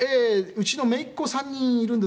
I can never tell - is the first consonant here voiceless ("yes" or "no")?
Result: yes